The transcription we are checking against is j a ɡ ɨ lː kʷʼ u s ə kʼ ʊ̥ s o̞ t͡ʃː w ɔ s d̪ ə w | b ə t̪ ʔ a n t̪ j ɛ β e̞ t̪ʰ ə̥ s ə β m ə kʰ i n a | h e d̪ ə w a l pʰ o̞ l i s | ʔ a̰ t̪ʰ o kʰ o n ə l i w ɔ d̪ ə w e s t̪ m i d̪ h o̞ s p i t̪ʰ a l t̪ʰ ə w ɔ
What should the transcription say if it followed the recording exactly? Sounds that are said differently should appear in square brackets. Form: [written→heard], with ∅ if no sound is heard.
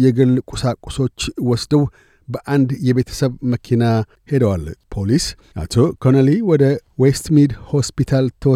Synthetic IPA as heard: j [a→ɛ] ɡ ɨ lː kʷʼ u s [ə→a] kʼ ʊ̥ s o̞ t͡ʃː w ɔ s d̪ ə w | b ə [t̪→∅] ʔ a n [t̪→d̪] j ɛ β e̞ t̪ʰ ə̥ s ə β m ə kʰ i n a | h e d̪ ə w a l pʰ o̞ l i s | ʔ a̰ t̪ʰ o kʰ o n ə l i w ɔ d̪ ə w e s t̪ m i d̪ h o̞ s p i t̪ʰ a l t̪ʰ ə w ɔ